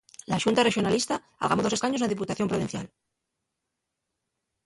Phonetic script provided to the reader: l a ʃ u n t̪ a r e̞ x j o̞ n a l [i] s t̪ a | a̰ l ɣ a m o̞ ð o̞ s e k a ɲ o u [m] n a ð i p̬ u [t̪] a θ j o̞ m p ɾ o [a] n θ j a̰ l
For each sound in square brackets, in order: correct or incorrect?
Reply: correct, incorrect, correct, incorrect

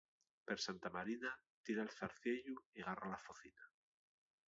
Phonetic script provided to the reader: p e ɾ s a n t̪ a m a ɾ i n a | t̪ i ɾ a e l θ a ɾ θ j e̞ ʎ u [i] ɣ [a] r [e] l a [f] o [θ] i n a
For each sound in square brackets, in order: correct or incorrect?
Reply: correct, correct, incorrect, correct, correct

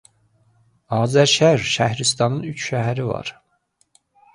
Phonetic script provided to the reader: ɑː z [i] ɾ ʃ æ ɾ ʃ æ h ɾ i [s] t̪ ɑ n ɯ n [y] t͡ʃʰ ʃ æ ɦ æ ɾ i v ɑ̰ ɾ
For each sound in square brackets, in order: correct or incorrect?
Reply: incorrect, correct, correct

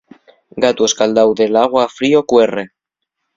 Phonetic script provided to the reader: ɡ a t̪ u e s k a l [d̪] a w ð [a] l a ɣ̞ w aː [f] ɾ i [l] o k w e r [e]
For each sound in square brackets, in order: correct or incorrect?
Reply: correct, incorrect, correct, incorrect, correct

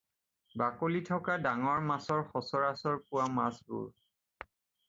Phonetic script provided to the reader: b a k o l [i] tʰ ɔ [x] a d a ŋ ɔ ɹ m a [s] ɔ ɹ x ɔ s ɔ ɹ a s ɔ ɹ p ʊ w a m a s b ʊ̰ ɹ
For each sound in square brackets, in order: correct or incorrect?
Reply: correct, incorrect, correct

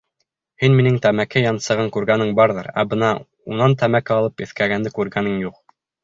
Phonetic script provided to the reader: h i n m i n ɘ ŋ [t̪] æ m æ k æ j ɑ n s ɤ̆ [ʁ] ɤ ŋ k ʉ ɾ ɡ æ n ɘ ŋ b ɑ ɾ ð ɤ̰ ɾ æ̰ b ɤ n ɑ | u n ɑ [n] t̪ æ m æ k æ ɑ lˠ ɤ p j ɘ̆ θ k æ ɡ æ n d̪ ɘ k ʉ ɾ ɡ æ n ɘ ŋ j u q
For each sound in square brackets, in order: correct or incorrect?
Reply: correct, correct, correct

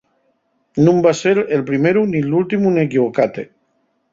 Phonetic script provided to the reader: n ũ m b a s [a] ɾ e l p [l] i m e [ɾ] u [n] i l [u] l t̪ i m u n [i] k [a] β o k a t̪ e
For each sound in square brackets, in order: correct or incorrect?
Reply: incorrect, incorrect, correct, correct, correct, incorrect, incorrect

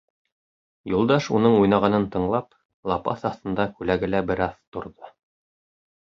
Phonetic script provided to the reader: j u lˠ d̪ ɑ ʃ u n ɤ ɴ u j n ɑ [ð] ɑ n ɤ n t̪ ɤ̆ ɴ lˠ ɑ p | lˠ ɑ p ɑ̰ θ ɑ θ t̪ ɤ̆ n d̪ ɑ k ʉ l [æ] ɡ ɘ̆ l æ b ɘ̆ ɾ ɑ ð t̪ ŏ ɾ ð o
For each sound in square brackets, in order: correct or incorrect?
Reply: incorrect, correct

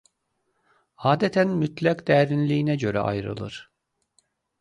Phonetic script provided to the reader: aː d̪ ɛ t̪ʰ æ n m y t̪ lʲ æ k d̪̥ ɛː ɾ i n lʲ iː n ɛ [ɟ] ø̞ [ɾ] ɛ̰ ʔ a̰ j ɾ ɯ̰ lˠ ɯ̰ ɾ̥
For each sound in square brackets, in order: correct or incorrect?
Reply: correct, correct

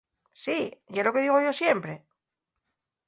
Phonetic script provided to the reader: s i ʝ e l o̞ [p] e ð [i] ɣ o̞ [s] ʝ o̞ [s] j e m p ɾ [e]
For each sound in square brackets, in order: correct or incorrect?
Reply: incorrect, correct, incorrect, correct, correct

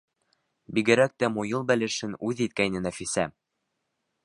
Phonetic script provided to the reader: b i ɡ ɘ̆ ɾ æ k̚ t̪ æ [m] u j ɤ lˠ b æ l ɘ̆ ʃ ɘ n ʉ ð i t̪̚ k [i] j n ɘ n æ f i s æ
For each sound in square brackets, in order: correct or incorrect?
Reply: correct, incorrect

